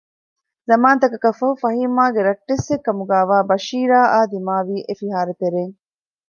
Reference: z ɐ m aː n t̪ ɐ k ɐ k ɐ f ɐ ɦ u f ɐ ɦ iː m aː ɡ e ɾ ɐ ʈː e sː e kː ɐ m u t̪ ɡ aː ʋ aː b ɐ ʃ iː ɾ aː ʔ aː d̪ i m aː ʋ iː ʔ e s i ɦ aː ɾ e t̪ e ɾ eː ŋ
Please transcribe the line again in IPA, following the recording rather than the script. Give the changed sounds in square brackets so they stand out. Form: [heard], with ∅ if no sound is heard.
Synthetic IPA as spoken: z ɐ m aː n t̪ ɐ k ɐ k ɐ f ɐ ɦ u f ɐ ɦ iː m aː ɡ e ɾ ɐ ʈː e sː e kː ɐ m u [∅] ɡ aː ʋ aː b ɐ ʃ iː ɾ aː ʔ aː d̪ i m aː ʋ iː ʔ e [f] i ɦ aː ɾ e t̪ e ɾ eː ŋ